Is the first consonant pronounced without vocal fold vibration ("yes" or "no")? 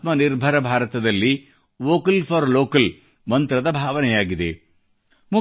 yes